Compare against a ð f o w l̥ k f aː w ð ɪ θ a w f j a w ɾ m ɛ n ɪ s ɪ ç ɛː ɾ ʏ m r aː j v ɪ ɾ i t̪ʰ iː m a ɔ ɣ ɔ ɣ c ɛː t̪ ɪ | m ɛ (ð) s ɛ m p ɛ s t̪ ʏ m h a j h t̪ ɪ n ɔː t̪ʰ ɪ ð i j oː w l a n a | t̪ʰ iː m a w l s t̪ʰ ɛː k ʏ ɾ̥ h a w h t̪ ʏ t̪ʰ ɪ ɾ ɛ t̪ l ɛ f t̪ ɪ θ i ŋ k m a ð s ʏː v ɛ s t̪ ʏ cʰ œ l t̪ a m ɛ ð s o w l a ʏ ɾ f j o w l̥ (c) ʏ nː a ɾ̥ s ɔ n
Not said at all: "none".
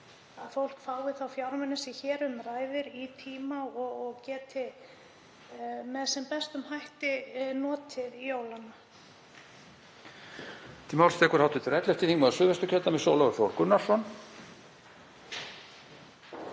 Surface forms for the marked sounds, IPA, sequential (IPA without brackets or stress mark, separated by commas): ð, k